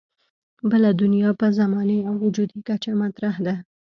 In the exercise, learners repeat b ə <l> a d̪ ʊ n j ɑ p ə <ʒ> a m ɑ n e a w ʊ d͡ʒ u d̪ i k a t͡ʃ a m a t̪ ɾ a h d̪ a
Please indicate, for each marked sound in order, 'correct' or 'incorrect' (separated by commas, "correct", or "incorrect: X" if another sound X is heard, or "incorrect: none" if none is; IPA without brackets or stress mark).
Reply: correct, incorrect: z